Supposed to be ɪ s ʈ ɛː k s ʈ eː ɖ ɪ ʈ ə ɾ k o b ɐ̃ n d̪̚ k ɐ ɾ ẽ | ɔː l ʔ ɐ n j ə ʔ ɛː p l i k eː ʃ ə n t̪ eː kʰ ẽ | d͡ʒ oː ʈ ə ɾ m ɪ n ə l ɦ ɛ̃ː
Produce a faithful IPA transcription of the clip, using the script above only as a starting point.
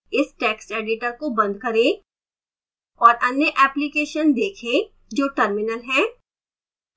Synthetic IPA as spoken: ɪ s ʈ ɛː k s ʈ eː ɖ ɪ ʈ ə ɾ k o b ɐ̃ n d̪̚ k ɐ ɾ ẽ | ɔː ɾ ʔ ɐ n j ə ʔ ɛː p l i k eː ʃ ə n d̪ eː kʰ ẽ | d͡ʒ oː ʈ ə ɾ m ɪ n ə l ɦ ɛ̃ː

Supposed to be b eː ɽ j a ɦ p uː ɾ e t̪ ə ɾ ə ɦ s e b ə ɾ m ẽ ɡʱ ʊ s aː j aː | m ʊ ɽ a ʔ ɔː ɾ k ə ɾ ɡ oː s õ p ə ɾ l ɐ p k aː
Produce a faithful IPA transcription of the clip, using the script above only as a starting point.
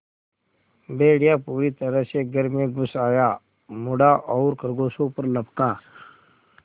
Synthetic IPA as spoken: b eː ɽ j a p uː ɾ i t̪ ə ɾ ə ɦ s e ɡ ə ɾ m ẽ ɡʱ ʊ s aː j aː | m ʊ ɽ a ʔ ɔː ɾ k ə ɾ ɡ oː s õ p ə ɾ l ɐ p k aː

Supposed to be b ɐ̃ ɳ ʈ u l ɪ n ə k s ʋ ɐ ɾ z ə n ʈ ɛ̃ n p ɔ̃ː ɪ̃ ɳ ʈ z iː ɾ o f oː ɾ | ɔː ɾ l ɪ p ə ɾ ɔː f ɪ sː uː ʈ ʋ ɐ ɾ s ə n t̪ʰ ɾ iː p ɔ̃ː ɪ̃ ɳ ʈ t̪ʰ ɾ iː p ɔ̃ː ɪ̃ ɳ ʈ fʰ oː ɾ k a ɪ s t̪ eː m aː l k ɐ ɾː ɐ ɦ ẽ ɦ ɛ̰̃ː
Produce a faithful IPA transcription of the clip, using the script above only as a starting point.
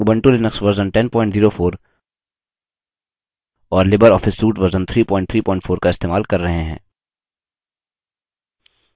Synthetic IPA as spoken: b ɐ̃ ɳ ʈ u l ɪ n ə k s ʋ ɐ ɾ z ə n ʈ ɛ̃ n p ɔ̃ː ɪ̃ ɳ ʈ z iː ɾ o f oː ɾ | ɔː ɾ l ɪ b ə ɾ ɔː f ɪ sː uː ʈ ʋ ɐ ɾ z ə n t̪ʰ ɾ iː p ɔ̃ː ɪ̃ ɳ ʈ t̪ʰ ɾ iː p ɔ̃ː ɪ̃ ɳ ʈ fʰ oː ɾ k a ɪ s t̪ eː m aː l k ɐ ɾː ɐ ɦ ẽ ɦ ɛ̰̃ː

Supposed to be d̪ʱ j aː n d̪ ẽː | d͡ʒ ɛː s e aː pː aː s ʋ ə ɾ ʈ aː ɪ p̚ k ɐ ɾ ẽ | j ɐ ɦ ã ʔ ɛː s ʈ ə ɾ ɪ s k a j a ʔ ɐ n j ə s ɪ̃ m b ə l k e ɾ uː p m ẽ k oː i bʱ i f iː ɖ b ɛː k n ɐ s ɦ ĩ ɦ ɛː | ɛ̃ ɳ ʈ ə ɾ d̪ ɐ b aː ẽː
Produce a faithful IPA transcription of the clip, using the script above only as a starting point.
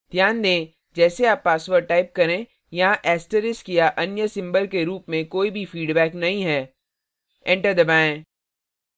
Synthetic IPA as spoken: d̪ʱ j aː n d̪ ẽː | d͡ʒ ɛː s e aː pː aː s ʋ ə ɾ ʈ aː ɪ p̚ k ɐ ɾ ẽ | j ɐ ɦ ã ʔ ɛː s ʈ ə ɾ ɪ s k i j a ʔ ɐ n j ə s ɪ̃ m b ə l k e ɾ uː p m ẽ k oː i bʱ i f iː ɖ b ɛː k n ɐ ɦ ĩ ɦ ɛː | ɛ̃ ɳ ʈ ə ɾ d̪ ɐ b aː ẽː

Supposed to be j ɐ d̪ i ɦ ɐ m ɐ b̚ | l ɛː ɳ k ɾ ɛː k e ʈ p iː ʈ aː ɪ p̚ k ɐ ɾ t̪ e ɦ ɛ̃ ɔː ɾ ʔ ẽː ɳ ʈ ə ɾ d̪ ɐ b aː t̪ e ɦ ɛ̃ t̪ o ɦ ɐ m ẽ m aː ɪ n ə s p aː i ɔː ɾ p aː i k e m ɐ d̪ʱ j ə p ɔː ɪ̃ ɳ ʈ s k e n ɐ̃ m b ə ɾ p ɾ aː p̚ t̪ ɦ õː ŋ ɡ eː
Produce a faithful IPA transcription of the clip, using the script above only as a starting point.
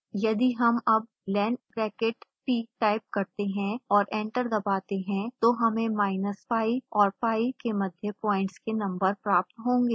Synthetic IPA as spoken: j ɐ d̪ i ɦ ɐ m ɐ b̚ | l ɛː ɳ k ɾ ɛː k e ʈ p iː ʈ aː ɪ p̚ k ɐ ɾ t̪ e ɦ ɛ̃ ɔː ɾ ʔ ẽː ɳ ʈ ə ɾ d̪ ɐ b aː t̪ e ɦ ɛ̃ t̪ o ɦ ɐ m ẽ m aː ɪ n ə s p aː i ɔː ɾ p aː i k e m ɐ d̪ʱ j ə p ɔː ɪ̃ ɳ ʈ s k e n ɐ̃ m b ə ɾ p ɾ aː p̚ t̪ ɦ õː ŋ ɡ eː

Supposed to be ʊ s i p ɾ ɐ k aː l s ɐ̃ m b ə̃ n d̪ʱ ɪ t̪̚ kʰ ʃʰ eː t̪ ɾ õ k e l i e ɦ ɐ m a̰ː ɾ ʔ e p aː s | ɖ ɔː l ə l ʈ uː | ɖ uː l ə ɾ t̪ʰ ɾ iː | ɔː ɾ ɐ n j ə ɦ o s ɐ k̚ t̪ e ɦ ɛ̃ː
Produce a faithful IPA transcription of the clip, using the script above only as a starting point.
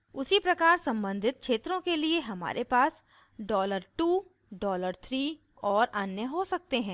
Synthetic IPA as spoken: ʊ s i p ɾ ɐ k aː ɾ s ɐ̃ m b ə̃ n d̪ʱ ɪ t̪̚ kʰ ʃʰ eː t̪ ɾ õ k e l i e ɦ ɐ m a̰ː ɾ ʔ e p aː s | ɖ ɔː l ə ɾ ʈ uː | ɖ ɔː l ə ɾ t̪ʰ ɾ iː | ɔː ɾ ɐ n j ə ɦ o s ɐ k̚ t̪ e ɦ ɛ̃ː

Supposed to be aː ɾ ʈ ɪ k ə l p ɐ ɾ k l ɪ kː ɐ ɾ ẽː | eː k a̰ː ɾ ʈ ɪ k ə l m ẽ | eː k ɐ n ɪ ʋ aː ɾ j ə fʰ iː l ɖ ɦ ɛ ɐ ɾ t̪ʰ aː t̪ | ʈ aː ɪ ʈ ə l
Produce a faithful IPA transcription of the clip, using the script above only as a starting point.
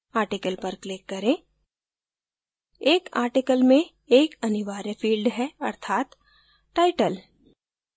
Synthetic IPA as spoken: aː ɾ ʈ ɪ k ə l p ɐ ɾ k l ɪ kː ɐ ɾ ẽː | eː k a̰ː ɾ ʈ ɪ k ə l m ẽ | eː k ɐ n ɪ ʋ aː ɾ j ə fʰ iː l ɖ ɦ ɛ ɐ ɾ t̪ʰ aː t̪ | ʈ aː ɪ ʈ ə l

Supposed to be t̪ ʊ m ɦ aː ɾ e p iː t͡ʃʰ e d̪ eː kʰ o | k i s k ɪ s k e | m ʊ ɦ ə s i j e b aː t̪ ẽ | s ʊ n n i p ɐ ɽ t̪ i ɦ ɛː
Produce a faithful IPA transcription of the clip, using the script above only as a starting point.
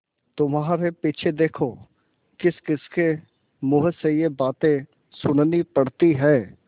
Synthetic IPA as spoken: t̪ ʊ m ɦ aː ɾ e p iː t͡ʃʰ e d̪ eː kʰ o | k ɪ s k ɪ s k e | m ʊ ɦ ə s e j e b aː t̪ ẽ | s ʊ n n i p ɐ ɽ t̪ i ɦ ɛː

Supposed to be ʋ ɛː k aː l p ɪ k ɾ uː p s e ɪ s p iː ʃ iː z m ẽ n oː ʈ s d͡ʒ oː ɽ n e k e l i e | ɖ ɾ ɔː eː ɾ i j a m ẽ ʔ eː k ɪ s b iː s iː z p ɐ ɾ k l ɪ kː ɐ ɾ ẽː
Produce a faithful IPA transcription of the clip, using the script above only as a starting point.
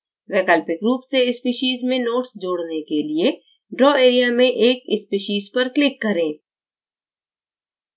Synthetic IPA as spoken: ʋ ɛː k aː l p ɪ k ɾ uː p s e ɪ s p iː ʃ iː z m ẽ n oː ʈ s d͡ʒ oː ɽ n e k e l i e | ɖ ɾ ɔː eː ɾ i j a m ẽ ʔ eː k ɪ s p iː ʃ iː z p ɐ ɾ k l ɪ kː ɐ ɾ ẽː

